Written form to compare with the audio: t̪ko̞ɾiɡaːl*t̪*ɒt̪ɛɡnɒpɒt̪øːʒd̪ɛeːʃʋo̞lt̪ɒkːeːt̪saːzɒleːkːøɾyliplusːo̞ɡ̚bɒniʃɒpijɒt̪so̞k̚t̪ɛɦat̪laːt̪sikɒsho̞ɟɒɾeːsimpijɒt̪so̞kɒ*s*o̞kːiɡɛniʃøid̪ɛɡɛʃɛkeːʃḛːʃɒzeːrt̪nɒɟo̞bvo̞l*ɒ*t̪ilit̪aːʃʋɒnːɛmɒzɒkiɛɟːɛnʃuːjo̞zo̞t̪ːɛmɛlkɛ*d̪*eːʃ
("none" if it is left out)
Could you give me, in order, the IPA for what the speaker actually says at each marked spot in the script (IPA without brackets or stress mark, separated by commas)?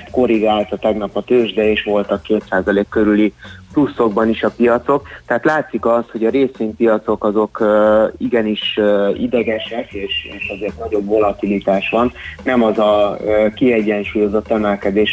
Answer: t̪, z, ɒ, d̪